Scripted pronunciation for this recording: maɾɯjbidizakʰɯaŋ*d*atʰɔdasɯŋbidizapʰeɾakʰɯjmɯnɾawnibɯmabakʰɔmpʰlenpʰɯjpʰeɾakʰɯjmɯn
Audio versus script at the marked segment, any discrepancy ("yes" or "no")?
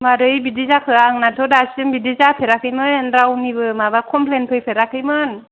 yes